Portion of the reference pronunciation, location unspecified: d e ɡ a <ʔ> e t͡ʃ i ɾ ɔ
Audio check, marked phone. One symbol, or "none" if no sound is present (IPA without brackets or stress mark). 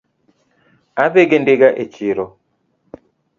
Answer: ʔ